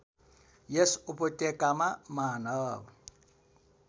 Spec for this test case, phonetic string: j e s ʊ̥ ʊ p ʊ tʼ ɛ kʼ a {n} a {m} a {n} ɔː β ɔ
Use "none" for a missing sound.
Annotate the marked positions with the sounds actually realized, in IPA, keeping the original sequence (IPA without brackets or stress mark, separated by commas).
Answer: m, m, n